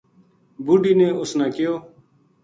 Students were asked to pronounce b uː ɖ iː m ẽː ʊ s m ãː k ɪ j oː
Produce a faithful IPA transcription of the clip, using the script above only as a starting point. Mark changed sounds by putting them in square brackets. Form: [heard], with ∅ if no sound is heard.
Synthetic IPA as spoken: b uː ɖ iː [n] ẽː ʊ s [n] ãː k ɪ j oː